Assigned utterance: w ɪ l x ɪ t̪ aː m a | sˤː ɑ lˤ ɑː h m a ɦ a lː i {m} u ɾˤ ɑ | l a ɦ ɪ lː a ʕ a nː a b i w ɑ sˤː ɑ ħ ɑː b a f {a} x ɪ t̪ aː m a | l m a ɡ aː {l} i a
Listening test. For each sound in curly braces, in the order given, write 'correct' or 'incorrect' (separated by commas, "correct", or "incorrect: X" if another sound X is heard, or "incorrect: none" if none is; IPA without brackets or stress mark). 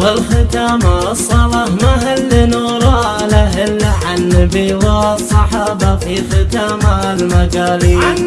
incorrect: n, incorrect: i, correct